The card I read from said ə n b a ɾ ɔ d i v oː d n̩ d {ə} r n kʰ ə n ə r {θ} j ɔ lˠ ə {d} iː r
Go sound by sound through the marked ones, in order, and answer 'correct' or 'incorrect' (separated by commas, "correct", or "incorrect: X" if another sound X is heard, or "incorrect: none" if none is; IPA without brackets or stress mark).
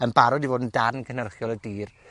incorrect: a, incorrect: χ, correct